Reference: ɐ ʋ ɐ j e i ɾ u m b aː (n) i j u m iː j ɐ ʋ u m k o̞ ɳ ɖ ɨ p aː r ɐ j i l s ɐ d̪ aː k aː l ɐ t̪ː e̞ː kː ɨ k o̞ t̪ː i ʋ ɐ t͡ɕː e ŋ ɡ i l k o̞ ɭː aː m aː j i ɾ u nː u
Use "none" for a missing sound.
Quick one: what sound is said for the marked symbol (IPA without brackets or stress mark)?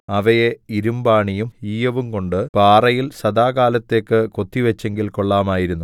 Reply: ɳ